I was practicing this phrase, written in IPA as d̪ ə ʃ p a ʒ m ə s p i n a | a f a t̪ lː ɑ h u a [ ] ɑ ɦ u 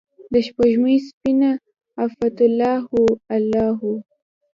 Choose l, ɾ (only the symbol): l